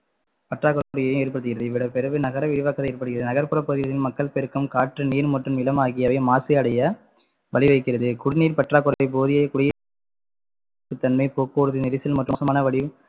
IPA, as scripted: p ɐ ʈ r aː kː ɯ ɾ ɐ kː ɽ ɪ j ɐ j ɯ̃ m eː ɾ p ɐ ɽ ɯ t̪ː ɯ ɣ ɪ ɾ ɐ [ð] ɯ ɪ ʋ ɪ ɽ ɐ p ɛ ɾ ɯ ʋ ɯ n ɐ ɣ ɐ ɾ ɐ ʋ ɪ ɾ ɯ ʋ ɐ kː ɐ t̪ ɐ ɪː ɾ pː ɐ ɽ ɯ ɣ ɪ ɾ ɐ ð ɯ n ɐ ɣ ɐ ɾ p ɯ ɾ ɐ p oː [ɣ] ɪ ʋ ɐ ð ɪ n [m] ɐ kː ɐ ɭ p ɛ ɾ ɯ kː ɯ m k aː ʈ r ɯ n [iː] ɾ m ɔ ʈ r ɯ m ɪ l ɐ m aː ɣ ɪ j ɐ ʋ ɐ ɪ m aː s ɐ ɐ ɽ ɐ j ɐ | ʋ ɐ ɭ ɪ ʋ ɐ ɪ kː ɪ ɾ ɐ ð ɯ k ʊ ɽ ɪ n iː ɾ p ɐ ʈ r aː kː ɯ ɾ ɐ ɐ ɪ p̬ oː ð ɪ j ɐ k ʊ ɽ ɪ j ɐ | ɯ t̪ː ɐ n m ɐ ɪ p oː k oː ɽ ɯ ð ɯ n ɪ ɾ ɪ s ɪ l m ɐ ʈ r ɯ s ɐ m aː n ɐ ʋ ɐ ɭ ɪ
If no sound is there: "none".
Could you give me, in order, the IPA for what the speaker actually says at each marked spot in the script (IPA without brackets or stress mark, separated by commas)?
ð, ð, m, iː